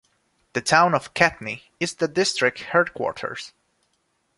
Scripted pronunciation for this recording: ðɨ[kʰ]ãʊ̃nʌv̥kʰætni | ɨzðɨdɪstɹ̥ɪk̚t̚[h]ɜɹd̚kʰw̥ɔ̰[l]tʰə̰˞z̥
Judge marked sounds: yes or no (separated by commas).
no, yes, no